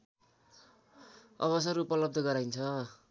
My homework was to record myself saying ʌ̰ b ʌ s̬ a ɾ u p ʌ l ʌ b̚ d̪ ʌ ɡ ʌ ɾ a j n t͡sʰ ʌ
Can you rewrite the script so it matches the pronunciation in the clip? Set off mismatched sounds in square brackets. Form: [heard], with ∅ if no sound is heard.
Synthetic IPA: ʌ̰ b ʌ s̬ [ʌ] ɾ u p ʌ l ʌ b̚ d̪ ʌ ɡ ʌ ɾ a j n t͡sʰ ʌ